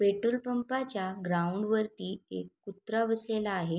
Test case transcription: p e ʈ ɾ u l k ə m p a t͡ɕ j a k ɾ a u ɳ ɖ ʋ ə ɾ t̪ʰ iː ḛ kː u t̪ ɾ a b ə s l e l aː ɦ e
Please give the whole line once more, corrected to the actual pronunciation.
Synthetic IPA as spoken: p e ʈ ɾ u l p ə m p a t͡ɕ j a ɡ ɾ a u ɳ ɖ ʋ ə ɾ t̪ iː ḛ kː u t̪ ɾ a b ə s l e l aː ɦ e